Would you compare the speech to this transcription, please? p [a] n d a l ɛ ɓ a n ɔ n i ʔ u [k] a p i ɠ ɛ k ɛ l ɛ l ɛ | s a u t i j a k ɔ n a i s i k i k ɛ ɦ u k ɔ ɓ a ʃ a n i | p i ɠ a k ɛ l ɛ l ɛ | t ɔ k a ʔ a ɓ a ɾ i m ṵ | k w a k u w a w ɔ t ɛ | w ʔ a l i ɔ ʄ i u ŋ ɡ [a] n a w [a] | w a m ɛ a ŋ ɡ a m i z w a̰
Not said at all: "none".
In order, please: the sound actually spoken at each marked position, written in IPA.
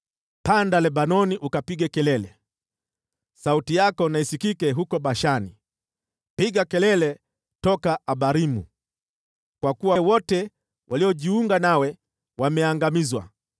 a, k, a, ɛ

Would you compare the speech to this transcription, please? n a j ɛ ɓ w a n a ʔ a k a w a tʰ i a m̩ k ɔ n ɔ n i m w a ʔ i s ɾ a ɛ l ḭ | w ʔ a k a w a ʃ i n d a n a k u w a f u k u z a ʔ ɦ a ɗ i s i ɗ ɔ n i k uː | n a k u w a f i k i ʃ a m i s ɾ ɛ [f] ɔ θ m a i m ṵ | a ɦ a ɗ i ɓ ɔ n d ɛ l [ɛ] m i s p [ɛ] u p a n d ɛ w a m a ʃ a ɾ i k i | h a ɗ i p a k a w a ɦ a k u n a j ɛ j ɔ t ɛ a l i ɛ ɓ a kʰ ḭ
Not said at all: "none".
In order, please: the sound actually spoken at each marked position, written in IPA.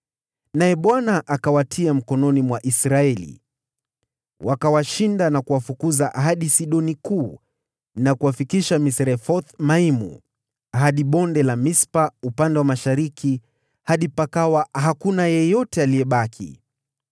f, a, a

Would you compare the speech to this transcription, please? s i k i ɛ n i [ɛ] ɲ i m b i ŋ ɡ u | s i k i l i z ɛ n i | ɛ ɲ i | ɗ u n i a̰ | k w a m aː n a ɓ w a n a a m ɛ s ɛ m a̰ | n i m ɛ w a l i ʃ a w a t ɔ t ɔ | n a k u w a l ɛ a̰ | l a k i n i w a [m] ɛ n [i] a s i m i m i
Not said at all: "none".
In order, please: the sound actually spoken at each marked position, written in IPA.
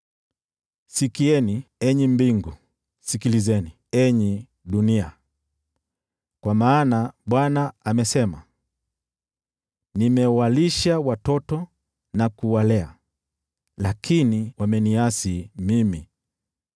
ɛ, m, i

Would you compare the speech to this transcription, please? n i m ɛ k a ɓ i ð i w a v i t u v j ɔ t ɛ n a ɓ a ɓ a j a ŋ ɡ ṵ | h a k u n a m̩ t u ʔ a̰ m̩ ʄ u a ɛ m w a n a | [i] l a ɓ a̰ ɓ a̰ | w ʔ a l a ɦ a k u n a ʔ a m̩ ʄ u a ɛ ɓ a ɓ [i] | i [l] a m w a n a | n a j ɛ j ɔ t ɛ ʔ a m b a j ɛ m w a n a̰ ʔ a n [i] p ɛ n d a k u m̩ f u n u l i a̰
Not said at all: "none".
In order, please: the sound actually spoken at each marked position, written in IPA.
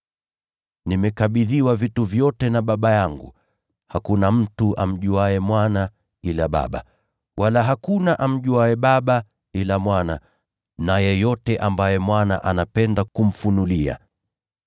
i, a, l, a

